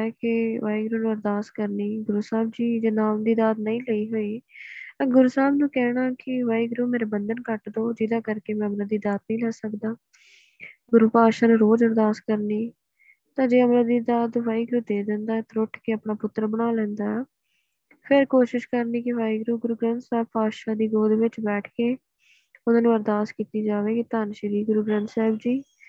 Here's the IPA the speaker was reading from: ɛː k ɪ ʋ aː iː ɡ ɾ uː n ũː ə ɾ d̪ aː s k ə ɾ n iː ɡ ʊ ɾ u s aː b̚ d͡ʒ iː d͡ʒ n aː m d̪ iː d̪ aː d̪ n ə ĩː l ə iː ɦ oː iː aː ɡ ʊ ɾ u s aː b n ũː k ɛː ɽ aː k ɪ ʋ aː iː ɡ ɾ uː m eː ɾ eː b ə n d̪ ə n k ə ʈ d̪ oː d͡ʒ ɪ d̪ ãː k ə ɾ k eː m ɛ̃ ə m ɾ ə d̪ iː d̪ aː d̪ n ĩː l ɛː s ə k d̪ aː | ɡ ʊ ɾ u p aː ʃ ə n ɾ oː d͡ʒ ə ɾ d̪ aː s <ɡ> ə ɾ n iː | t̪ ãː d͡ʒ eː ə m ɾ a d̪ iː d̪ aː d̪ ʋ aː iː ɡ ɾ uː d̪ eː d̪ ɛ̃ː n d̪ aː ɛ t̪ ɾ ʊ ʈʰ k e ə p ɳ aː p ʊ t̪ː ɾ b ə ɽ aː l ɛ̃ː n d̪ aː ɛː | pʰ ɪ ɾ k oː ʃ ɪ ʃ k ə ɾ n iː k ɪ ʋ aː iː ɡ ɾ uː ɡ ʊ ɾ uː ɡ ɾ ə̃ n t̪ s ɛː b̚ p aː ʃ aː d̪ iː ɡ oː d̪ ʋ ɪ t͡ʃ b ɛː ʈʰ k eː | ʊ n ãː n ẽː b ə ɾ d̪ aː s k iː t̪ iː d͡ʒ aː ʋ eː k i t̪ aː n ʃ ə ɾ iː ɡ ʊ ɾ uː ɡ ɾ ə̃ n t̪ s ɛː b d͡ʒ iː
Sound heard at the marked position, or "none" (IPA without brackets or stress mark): k